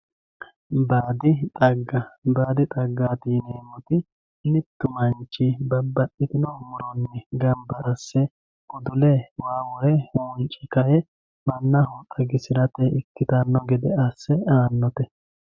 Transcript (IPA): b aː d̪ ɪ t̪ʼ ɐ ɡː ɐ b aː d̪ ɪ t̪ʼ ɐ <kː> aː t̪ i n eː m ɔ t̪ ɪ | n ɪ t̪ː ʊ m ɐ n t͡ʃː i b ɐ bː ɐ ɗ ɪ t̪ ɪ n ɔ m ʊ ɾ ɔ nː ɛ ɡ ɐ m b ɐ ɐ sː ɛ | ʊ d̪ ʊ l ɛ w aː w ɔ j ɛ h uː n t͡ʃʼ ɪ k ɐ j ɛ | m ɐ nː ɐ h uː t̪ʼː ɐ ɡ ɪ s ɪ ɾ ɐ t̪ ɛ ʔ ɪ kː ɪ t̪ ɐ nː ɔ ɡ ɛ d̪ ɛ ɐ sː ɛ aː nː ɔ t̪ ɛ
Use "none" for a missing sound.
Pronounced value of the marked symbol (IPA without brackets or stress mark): ɡː